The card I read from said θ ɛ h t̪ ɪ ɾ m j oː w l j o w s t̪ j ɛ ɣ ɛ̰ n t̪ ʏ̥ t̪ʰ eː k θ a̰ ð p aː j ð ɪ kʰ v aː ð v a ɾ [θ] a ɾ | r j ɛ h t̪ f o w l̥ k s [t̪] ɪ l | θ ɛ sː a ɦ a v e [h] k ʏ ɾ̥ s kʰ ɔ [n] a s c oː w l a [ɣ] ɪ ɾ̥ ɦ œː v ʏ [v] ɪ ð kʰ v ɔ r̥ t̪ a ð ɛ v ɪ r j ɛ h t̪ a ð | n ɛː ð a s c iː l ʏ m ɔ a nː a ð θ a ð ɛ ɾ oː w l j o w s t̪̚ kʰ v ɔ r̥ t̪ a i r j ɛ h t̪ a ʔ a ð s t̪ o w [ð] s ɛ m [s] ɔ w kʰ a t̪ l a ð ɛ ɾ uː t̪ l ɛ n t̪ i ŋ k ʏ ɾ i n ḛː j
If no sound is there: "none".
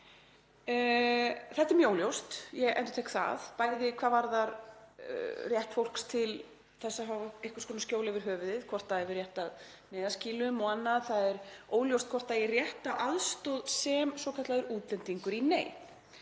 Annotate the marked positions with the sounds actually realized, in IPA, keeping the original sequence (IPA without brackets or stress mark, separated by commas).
ð, t̪ʰ, h, n, v, ð, ð, s